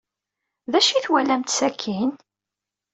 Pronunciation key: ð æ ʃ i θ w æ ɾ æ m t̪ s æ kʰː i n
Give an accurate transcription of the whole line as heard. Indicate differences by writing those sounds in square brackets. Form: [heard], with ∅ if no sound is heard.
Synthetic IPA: ð æ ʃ i θ w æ [l] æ m t̪ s æ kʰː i n